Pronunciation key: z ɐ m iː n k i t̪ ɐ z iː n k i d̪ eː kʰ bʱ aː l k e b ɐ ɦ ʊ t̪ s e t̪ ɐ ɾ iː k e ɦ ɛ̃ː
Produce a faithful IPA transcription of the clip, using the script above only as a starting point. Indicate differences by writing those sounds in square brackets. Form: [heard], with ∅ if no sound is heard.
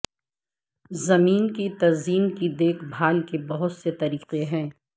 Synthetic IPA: z ɐ m iː n k i t̪ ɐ z iː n k i d̪ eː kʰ bʱ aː l k e b ɐ ɦ ʊ t̪ s e t̪ ɐ ɾ iː [q] e ɦ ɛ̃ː